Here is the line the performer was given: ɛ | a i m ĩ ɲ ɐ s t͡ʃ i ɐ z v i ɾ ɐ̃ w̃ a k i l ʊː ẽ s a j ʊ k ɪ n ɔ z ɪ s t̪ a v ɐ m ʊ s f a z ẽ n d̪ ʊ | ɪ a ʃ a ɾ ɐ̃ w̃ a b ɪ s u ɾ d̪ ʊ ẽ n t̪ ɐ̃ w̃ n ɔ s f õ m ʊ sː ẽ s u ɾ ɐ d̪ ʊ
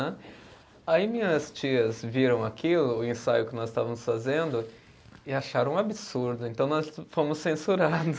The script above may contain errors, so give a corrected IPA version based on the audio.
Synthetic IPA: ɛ | a i m ĩ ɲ ɐ s t͡ʃ i ɐ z v i ɾ ɐ̃ w̃ a k i l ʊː ẽ s a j ʊ k ɪ n ɔ z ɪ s t̪ a v ɐ m ʊ s f a z ẽ n d̪ ʊ | ɪ a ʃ a ɾ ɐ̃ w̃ a b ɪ s u ɾ d̪ ʊ ẽ n t̪ ɐ̃ w̃ n ɔ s f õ m ʊ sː ẽ s u ɾ a d̪ ʊ